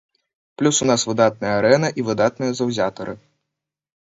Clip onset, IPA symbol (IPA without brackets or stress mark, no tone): p